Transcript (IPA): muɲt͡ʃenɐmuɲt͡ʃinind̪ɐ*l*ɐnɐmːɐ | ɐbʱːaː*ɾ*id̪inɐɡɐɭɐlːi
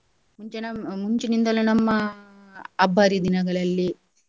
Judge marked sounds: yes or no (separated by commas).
yes, yes